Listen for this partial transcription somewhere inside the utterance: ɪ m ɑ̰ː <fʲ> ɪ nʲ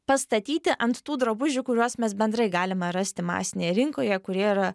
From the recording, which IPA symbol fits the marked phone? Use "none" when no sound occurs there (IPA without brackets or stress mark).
sʲ